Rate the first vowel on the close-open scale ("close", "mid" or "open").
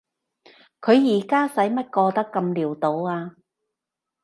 mid